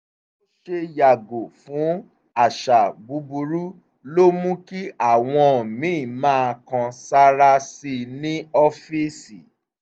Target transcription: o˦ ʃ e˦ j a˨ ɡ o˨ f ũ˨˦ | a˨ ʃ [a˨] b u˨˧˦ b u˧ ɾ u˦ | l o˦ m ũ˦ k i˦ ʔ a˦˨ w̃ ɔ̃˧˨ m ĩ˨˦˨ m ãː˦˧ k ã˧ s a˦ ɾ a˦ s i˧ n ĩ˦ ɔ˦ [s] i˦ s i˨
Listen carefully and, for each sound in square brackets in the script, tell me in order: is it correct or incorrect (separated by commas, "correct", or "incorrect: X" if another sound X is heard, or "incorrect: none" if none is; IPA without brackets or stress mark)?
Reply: correct, incorrect: f